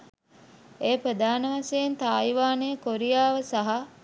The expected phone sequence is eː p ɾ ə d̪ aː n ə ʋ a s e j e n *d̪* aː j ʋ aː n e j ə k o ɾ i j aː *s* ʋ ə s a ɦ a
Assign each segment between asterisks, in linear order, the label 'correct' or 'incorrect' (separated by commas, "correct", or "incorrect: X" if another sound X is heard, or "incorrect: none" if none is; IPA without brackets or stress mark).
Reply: incorrect: t̪, incorrect: none